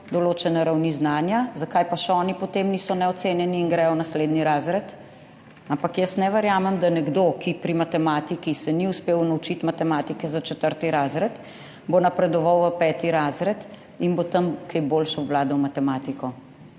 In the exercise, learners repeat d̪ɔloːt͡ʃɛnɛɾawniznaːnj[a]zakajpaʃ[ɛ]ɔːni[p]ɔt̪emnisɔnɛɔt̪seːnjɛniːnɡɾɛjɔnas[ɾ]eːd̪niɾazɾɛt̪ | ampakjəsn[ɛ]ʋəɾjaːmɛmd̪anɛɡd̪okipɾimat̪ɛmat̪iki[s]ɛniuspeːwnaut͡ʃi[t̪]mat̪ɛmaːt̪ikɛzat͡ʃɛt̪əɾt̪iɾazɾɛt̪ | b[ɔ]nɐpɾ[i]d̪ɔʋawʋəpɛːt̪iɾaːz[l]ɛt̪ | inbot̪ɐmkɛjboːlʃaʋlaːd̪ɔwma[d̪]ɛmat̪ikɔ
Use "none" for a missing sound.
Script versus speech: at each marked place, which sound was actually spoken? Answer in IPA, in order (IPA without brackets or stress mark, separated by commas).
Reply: a, ɛ, p, l, ɛ, s, t̪, o, ɛ, ɾ, t̪